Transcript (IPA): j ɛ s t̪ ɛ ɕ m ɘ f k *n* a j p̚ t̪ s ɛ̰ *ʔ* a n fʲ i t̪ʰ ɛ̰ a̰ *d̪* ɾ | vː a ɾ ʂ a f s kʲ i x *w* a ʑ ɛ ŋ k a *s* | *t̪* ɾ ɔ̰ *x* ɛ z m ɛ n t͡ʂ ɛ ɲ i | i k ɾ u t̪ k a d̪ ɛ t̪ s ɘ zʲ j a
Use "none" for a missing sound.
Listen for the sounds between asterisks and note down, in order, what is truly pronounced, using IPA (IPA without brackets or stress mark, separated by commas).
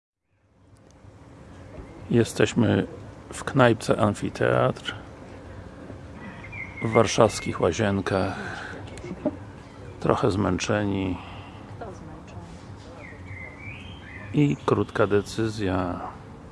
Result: n, ʔ, t̪, w, x, t̪, x